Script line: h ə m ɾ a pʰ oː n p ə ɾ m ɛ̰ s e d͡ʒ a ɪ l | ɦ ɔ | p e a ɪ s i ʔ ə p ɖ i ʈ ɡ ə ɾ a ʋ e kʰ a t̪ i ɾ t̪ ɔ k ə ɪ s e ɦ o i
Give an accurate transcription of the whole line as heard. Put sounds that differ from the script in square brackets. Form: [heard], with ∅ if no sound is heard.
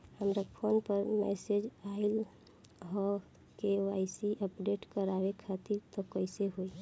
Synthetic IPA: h ə m ɾ a pʰ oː n p ə ɾ m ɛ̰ s e d͡ʒ a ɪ l | ɦ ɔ | [k] e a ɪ s i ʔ ə p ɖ [e] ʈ [k] ə ɾ a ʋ e kʰ a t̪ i ɾ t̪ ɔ k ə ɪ s e ɦ o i